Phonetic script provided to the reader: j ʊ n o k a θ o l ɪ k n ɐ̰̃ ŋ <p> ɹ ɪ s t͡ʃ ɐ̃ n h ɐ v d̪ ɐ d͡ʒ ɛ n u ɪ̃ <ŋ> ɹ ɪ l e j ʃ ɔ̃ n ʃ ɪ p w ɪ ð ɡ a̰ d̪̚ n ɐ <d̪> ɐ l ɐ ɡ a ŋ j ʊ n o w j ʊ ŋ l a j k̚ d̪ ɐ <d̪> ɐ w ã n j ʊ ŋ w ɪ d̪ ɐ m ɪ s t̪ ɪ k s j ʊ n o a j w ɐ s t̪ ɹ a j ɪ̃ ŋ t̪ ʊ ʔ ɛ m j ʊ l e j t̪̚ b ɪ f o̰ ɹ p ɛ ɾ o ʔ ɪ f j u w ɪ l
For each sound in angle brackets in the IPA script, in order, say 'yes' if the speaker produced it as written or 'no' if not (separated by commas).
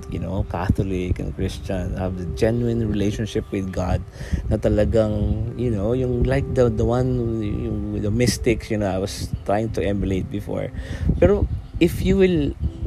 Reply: no, no, no, yes